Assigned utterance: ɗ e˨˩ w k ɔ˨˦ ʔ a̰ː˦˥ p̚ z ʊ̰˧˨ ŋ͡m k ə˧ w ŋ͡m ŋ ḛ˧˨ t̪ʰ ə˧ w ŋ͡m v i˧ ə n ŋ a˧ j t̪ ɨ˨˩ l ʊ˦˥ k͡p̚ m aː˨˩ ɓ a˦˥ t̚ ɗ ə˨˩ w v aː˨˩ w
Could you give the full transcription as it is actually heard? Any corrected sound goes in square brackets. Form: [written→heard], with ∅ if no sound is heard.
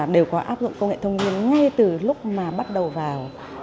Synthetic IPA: ɗ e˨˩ w k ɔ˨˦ ʔ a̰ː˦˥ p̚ z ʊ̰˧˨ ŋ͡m k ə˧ w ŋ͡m ŋ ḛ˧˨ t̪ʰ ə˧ w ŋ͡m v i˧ ə n ŋ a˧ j t̪ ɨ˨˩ l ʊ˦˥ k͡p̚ m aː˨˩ ɓ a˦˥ t̚ ɗ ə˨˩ w v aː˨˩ w